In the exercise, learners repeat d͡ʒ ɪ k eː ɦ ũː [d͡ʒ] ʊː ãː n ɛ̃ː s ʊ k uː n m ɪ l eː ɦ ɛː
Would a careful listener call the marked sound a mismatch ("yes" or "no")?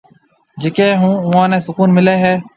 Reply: yes